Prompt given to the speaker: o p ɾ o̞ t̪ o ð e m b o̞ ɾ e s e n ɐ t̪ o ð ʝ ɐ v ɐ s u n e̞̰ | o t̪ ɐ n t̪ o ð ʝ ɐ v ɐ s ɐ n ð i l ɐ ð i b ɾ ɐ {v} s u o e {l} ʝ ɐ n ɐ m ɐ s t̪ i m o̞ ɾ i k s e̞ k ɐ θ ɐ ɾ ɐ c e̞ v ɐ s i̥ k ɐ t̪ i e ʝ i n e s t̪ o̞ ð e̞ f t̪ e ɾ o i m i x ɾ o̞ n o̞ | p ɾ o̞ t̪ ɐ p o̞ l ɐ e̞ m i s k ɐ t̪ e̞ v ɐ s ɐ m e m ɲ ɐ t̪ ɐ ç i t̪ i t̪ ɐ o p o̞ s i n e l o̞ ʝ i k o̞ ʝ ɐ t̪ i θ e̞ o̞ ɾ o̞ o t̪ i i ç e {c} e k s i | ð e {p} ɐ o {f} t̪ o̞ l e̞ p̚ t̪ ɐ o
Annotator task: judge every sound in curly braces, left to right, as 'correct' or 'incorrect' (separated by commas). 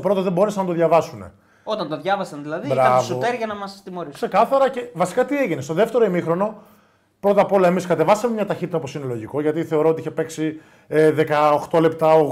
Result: correct, incorrect, incorrect, incorrect, incorrect